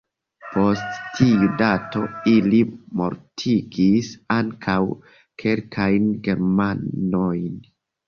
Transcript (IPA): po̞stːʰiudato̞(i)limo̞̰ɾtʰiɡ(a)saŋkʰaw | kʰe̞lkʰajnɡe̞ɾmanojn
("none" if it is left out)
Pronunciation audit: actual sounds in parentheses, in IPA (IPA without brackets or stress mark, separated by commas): i, i